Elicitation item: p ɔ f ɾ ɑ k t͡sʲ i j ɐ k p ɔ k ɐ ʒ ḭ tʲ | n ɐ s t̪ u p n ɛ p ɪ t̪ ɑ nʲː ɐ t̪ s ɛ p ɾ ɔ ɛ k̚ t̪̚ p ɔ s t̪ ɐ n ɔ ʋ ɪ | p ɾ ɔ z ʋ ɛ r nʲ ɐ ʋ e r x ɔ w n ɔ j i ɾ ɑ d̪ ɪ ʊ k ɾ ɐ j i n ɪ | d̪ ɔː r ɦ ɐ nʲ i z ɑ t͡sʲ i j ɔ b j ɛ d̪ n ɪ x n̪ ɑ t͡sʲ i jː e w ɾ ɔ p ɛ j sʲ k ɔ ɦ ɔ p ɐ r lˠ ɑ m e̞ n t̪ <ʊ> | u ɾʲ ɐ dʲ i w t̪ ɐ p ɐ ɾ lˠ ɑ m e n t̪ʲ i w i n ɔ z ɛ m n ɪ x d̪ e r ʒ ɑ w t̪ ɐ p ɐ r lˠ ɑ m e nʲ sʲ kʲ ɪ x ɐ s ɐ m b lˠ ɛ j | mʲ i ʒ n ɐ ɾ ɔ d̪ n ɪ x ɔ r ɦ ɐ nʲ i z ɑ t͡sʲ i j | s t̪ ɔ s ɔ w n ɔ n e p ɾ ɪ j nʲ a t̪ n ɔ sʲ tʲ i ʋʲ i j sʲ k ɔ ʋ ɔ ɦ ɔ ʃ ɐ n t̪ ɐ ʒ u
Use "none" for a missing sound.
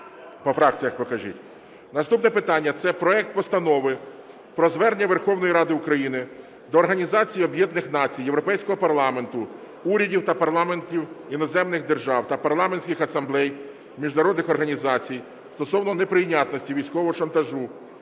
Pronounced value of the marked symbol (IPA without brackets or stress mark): ʊ